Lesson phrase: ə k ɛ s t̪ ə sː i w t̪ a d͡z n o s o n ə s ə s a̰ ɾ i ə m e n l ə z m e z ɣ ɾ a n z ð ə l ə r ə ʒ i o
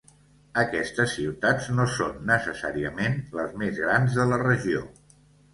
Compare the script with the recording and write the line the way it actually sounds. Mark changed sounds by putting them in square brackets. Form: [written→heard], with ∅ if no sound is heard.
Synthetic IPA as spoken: ə k ɛ s t̪ ə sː i w t̪ a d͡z n o s o [n→nː] ə s ə s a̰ ɾ i ə m e n l ə z m e z ɣ ɾ a n z ð ə l ə r ə ʒ i o